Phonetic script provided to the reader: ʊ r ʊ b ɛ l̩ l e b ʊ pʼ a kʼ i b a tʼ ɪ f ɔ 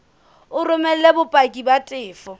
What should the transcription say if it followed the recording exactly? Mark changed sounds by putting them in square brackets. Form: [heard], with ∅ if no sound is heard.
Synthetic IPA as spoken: ʊ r ʊ [m] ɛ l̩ l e b ʊ pʼ a kʼ i b a tʼ [ɪː] f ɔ